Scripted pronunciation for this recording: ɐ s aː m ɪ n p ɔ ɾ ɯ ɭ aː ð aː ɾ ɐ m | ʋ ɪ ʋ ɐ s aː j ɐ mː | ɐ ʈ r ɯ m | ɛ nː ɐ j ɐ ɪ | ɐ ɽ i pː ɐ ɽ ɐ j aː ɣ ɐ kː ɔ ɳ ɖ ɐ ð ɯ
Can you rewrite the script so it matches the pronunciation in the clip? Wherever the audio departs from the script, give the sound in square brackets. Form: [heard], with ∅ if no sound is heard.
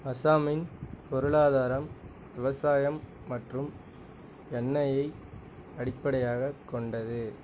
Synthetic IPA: ɐ s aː m ɪ n p ɔ ɾ ɯ ɭ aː ð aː ɾ ɐ m | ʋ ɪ ʋ ɐ s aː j ɐ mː | ɐ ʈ r ɯ m | ɛ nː ɐ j ɐ ɪ | ɐ ɽ [ɪ] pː ɐ ɽ ɐ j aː ɣ ɐ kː ɔ ɳ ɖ ɐ ð ɯ